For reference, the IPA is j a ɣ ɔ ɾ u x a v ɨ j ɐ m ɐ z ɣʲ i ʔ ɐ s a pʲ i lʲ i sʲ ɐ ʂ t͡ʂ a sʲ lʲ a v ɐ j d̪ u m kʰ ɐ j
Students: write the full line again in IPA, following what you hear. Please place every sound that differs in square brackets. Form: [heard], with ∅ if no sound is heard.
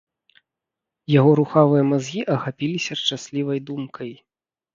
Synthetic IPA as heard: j a ɣ ɔ ɾ u x a v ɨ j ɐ m [a] z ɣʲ i ʔ ɐ [x] a pʲ i lʲ i sʲ ɐ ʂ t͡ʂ a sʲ lʲ [i] v ɐ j d̪ u m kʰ ɐ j